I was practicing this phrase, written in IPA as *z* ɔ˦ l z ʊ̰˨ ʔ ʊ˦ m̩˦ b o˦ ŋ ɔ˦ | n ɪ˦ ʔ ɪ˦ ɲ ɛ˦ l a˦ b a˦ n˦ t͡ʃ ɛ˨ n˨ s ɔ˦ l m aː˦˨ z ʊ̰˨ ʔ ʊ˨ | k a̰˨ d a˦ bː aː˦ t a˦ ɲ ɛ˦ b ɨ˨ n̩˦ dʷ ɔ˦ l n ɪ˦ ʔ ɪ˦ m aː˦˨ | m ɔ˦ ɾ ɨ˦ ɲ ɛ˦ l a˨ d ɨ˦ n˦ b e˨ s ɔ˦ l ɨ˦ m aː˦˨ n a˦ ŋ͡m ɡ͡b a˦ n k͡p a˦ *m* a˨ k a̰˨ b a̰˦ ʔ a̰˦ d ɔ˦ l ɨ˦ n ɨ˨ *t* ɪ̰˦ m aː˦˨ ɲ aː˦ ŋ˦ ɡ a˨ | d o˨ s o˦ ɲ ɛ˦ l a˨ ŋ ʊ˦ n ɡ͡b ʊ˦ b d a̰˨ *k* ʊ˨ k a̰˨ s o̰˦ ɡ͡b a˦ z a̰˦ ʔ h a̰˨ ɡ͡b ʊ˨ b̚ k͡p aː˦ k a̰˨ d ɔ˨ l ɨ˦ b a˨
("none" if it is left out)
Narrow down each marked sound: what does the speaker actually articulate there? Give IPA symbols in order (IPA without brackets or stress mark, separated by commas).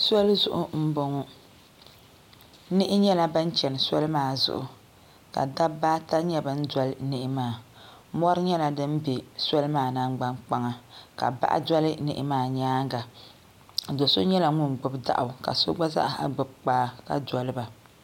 s, ŋ, ʔ, ʔ